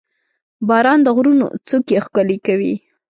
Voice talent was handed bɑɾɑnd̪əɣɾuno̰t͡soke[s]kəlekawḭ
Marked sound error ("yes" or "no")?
yes